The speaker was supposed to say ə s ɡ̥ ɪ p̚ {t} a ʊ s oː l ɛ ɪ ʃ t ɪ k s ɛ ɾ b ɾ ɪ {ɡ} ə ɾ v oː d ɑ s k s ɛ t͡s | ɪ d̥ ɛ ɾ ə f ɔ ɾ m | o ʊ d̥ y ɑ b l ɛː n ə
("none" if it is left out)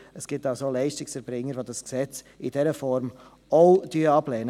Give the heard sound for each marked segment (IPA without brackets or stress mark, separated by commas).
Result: t, ŋ